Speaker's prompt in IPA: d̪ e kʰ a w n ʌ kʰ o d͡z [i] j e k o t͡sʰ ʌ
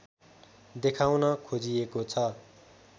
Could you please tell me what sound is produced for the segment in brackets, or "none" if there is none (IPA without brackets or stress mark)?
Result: i